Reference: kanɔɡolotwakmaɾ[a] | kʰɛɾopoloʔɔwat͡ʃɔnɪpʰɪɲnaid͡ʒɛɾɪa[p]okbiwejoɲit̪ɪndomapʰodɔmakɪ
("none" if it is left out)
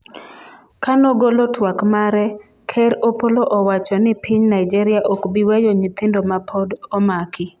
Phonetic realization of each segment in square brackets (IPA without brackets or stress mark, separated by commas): ɛ, ʔ